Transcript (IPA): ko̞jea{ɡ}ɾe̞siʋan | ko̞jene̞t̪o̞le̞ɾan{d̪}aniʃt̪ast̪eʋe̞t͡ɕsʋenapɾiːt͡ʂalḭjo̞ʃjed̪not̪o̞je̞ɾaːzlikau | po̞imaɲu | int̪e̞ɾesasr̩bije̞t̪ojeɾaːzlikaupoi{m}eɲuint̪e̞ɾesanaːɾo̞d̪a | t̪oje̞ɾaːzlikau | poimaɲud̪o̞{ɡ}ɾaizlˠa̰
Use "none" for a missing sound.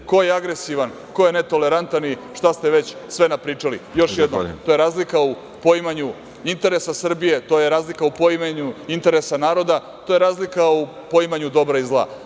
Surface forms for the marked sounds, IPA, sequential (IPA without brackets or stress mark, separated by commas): ɡ, t̪, m, b